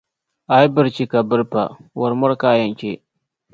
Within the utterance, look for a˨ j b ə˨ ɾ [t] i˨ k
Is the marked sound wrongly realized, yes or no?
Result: yes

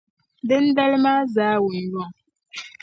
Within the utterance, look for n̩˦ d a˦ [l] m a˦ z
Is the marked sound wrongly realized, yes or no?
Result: no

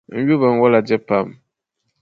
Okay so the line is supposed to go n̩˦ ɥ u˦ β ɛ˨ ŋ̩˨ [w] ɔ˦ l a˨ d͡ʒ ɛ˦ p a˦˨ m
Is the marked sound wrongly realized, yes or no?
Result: no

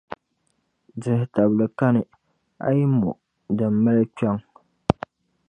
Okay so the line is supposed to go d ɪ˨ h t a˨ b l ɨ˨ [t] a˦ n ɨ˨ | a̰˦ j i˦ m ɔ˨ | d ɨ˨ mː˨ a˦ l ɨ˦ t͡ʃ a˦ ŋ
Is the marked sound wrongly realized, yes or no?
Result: yes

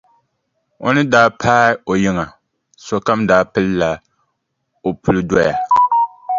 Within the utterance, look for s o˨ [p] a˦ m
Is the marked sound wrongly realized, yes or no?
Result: yes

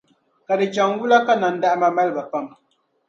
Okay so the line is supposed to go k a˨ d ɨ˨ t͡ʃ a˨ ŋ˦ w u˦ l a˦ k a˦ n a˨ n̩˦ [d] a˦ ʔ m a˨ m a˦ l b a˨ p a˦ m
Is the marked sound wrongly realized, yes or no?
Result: no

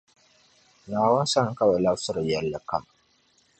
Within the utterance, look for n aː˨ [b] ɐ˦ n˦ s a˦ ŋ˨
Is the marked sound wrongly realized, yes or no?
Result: yes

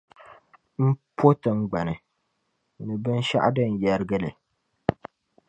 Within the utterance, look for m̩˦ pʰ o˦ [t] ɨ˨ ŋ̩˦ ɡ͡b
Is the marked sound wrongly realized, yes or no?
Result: no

